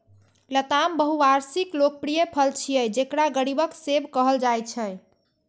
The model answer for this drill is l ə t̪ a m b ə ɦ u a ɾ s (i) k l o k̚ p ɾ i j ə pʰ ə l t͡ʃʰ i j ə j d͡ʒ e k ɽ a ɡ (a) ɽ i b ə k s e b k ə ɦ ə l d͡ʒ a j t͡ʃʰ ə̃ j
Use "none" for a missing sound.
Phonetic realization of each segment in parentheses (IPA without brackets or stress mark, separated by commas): i, ə